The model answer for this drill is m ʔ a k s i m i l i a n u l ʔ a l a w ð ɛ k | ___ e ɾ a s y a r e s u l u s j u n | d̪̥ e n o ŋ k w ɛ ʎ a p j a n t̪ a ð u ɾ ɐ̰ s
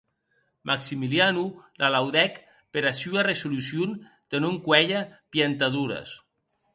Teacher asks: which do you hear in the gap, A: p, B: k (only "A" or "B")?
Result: A